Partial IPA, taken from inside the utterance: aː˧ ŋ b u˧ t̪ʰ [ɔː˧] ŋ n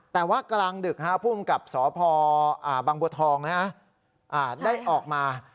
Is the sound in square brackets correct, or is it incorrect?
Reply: correct